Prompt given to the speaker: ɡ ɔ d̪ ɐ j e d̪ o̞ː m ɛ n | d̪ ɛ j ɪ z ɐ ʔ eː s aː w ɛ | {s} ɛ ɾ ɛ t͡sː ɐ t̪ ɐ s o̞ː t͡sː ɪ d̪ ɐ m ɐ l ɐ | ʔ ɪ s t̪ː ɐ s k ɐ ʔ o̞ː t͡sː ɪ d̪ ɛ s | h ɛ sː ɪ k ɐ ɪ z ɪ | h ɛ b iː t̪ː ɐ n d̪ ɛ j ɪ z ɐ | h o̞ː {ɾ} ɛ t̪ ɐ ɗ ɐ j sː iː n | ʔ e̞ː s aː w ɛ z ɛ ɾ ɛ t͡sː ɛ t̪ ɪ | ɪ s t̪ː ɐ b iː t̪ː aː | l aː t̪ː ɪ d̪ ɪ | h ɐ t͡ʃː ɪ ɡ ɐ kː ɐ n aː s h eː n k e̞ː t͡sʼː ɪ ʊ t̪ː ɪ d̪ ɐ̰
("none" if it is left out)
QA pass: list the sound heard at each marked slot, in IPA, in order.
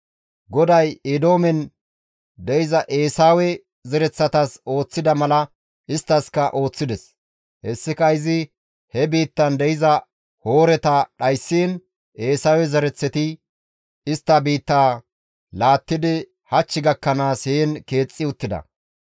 z, ɾ

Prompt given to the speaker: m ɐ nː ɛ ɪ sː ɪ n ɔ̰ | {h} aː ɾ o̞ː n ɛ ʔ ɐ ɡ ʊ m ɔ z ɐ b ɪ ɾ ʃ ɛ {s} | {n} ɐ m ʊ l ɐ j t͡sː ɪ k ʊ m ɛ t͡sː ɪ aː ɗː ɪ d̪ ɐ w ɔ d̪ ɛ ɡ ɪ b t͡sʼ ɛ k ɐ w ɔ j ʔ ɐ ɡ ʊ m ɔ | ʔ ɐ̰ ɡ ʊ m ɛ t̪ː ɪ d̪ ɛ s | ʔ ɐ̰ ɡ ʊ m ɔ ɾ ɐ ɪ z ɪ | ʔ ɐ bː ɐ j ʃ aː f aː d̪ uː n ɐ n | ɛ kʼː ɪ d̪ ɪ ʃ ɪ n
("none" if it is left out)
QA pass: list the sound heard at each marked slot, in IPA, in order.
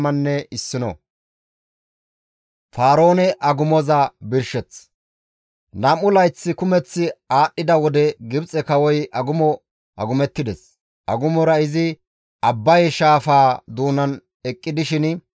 f, t͡s, n

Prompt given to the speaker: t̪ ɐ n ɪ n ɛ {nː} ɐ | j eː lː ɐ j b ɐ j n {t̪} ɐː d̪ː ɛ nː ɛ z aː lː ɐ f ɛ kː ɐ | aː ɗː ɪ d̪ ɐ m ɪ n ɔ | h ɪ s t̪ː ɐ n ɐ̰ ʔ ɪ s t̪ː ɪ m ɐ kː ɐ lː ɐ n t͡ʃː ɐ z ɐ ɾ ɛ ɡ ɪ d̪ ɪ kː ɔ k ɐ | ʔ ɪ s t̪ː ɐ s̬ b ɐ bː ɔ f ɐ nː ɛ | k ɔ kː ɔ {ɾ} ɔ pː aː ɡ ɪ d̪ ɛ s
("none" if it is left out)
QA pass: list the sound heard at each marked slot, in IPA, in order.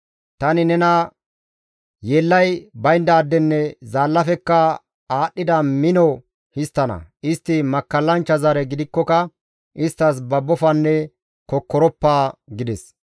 n, d̪, ɾ

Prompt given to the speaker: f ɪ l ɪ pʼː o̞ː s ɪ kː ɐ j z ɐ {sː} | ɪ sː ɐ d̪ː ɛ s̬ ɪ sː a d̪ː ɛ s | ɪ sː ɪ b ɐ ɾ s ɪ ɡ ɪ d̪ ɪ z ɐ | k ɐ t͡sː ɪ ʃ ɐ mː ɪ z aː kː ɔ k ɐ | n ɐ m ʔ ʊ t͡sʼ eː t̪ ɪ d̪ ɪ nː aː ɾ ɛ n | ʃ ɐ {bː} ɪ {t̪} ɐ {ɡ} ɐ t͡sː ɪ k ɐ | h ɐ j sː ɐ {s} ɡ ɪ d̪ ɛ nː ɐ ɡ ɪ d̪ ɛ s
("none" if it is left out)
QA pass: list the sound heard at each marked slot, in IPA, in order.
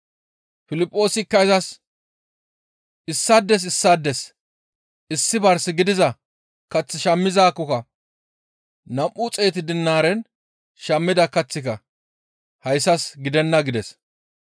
s, mː, d̪, k, s

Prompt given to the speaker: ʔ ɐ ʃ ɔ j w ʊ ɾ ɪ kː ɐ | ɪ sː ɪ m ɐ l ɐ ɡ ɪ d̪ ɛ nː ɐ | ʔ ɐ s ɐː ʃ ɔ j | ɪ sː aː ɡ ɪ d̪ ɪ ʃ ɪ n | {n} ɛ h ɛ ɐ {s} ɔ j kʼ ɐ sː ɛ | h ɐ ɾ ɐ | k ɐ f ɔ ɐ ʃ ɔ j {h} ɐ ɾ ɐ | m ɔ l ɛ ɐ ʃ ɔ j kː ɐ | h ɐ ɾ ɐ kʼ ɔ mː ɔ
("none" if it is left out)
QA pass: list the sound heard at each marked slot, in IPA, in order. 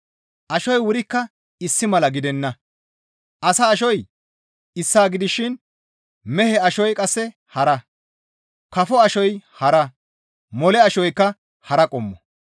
m, ʃ, h

